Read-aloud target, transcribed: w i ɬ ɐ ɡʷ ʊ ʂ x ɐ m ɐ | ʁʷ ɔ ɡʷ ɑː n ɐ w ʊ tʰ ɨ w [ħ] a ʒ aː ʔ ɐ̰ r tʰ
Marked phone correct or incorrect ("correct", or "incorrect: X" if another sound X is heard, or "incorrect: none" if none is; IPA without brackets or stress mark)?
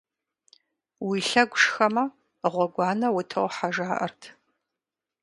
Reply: correct